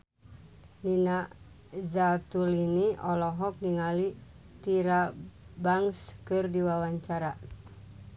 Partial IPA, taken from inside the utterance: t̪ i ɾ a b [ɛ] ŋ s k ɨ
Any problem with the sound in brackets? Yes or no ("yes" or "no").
yes